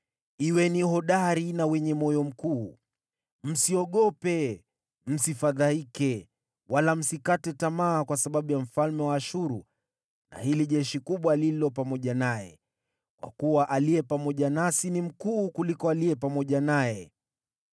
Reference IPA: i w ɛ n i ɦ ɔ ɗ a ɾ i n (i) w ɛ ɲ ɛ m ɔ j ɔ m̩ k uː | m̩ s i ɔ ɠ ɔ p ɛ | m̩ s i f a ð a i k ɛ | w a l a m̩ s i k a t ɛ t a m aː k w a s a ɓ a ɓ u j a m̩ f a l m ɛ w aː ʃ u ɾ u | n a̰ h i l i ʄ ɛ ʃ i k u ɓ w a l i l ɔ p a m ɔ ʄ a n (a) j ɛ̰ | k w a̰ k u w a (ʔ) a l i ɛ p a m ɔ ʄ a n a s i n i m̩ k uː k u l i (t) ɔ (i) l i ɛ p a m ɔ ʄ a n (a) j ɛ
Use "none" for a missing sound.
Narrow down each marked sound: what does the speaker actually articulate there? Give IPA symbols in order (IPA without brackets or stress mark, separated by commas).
a, a, ʔ, k, a, a